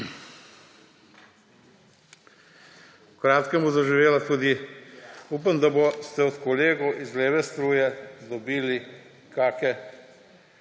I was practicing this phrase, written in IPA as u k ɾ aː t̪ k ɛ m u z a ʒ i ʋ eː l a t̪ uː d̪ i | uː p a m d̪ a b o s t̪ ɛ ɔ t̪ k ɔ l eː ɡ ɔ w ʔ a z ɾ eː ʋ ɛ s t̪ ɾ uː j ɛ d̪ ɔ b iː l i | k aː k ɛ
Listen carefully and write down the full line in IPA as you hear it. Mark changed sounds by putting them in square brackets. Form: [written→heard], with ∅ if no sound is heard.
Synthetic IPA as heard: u k ɾ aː t̪ k ɛ m u z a ʒ i ʋ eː l a t̪ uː d̪ i | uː p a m d̪ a b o s t̪ ɛ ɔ t̪ k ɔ l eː ɡ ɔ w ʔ [a→i] z [ɾ→l] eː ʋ ɛ s t̪ ɾ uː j ɛ d̪ ɔ b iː l i | k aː k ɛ